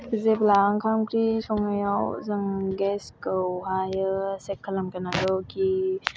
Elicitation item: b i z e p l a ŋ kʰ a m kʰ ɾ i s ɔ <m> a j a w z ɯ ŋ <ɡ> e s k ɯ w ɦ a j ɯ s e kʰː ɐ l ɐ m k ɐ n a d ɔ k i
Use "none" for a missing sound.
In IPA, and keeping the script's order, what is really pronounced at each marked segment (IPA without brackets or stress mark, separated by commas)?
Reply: ŋ, ɡ